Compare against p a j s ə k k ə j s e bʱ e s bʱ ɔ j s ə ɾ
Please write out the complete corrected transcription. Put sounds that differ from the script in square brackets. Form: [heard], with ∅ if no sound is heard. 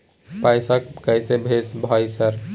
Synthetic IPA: p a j s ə k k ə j s e bʱ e s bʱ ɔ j s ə ɾ